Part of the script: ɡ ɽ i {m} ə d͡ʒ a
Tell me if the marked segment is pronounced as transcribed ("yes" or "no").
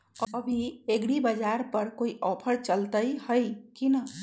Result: no